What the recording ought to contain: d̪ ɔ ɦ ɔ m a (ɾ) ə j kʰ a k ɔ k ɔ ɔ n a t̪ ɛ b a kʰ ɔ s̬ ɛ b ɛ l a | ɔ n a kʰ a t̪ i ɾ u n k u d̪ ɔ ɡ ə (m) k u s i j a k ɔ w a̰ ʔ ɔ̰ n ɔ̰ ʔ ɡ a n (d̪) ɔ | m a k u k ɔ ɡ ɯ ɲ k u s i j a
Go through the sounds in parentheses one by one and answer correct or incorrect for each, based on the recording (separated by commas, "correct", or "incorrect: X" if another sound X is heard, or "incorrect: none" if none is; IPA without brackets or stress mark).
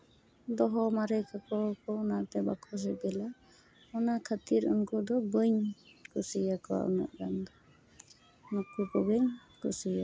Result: correct, incorrect: ɲ, correct